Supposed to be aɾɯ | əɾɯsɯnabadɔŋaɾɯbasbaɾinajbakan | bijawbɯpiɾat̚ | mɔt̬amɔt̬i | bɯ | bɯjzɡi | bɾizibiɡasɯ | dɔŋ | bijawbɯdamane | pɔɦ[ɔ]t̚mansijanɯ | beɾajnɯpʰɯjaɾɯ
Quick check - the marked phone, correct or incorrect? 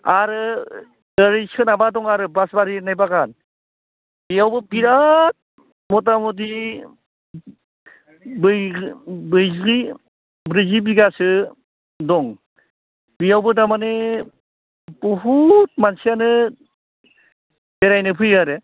incorrect